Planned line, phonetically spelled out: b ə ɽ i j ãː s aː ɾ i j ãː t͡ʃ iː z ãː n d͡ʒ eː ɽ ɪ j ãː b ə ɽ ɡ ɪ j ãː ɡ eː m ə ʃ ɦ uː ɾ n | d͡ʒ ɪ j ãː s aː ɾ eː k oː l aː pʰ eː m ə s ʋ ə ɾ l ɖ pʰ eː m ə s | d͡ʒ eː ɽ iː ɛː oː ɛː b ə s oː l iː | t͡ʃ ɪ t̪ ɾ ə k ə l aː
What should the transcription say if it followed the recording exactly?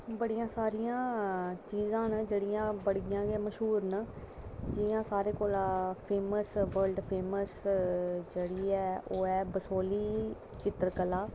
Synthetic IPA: b ə ɽ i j ãː s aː ɾ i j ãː t͡ʃ iː z ãː n d͡ʒ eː ɽ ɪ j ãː b ə ɽ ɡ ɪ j ãː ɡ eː m ə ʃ ɦ uː ɾ n | d͡ʒ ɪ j ãː s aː ɾ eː k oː l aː pʰ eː m ə s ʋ ə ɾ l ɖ pʰ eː m ə s | d͡ʒ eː ɽ iː ɛː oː ɛː b ə s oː l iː | t͡ʃ ɪ t̪ ɾ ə k ə l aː